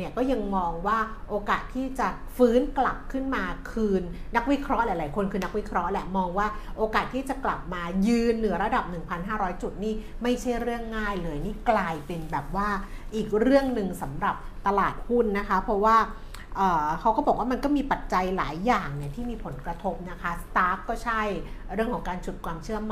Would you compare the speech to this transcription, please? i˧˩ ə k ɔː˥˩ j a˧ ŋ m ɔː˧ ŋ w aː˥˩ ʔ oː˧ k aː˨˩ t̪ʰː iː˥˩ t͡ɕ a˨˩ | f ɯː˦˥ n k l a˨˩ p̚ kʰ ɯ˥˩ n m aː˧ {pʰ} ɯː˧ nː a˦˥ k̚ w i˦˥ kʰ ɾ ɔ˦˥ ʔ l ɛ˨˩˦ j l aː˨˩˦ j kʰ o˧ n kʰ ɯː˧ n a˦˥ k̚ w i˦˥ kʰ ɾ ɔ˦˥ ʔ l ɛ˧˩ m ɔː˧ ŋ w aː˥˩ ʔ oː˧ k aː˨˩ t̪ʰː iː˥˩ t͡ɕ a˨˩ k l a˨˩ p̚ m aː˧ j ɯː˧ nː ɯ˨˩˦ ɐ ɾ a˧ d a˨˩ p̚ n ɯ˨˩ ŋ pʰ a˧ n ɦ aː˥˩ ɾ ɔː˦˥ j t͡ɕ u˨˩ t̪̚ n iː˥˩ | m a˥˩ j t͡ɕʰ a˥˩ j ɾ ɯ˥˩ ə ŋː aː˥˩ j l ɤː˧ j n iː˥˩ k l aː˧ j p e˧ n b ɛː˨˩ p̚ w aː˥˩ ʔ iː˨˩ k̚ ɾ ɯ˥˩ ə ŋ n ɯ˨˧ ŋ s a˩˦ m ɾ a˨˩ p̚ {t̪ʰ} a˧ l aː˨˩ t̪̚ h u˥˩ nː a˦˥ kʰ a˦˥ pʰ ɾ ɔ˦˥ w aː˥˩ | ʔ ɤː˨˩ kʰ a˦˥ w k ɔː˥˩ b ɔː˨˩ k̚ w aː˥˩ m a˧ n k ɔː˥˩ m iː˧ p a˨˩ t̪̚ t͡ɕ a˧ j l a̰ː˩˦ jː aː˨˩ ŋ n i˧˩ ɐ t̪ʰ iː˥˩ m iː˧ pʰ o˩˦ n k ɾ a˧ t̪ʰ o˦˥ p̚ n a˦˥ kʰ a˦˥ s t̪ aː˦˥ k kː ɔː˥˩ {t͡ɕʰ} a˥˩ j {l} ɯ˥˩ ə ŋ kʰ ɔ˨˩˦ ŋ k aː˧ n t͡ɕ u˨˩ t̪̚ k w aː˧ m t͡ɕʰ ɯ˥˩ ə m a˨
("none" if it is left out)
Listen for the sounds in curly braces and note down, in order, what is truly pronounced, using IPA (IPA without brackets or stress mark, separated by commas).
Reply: kʰ, t̪, t͡ɕʰ, ɾ